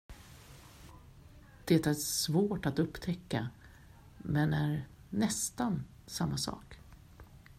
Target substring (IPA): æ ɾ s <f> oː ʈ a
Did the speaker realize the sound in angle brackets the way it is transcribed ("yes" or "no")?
no